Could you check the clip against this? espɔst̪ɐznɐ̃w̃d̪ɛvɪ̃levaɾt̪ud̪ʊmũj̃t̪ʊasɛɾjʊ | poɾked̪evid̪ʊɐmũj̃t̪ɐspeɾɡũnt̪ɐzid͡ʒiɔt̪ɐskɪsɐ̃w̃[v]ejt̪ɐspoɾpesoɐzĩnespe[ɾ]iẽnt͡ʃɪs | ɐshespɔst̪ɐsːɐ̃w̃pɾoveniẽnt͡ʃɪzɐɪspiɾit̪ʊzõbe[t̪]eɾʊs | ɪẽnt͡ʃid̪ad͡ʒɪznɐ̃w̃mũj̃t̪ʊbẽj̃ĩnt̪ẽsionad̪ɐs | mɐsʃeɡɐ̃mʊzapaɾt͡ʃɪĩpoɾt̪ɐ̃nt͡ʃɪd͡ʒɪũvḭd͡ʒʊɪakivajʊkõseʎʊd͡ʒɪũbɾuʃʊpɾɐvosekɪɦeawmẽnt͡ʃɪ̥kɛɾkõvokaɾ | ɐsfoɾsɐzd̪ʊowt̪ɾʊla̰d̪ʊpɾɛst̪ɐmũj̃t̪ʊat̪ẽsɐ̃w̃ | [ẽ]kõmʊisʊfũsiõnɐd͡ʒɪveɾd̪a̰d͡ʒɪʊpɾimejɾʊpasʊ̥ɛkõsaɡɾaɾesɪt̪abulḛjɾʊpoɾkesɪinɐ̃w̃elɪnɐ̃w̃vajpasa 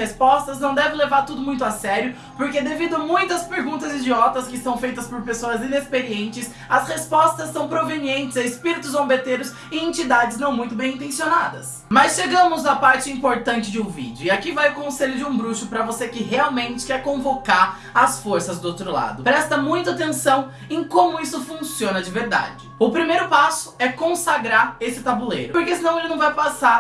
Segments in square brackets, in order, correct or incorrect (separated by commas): incorrect, correct, correct, correct